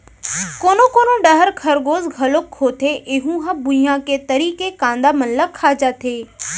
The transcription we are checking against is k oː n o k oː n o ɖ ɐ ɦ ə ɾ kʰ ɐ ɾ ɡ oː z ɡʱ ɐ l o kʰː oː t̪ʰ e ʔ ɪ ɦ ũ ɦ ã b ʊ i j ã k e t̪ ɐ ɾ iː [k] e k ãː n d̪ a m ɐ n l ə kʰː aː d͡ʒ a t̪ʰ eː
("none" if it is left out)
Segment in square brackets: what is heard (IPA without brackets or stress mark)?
k